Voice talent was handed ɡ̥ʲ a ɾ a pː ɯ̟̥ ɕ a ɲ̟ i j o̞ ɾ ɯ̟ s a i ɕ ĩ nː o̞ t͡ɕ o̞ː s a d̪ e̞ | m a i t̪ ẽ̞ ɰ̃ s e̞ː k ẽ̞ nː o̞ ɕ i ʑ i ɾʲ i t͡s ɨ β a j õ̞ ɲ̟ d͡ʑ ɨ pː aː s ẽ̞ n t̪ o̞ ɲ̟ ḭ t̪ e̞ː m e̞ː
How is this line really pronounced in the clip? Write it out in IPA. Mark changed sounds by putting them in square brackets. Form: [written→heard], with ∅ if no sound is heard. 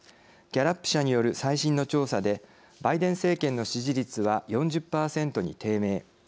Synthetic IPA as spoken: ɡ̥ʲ a ɾ a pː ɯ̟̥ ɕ a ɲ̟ i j o̞ ɾ ɯ̟ s a i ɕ ĩ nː o̞ t͡ɕ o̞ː s a d̪ e̞ | [m→b] a i [t̪→d̪] ẽ̞ ɰ̃ s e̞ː k ẽ̞ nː o̞ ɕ i ʑ i ɾʲ i t͡s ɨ β a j õ̞ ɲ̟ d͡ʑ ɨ pː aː s ẽ̞ n t̪ o̞ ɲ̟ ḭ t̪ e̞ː m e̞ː